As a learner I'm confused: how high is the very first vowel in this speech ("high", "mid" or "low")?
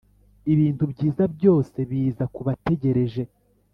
high